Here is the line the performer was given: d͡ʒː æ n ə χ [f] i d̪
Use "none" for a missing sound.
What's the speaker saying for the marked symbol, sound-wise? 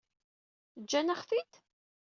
f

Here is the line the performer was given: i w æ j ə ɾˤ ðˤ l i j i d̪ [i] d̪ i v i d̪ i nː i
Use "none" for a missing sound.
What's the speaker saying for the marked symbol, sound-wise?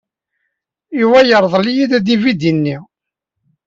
æ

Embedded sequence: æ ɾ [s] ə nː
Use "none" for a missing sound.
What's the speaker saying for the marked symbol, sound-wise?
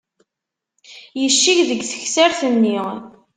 θ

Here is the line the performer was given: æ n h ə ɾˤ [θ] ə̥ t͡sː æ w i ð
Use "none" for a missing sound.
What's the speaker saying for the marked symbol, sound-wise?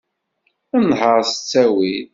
s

